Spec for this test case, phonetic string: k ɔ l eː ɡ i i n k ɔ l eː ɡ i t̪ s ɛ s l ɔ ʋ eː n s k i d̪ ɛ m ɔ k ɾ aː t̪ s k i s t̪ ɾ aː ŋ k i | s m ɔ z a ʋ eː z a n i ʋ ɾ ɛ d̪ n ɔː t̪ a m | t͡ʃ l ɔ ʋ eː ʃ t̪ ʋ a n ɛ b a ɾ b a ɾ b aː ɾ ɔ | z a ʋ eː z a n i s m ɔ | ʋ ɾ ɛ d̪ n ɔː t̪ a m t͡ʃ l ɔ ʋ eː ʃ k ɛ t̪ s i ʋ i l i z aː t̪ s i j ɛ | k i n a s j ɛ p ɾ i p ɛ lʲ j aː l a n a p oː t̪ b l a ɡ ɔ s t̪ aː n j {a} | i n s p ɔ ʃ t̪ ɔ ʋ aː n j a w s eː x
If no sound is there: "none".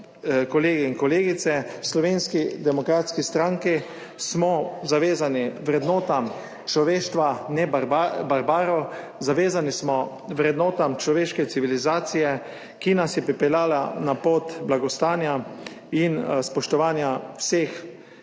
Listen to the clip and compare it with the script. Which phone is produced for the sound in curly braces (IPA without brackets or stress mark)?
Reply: a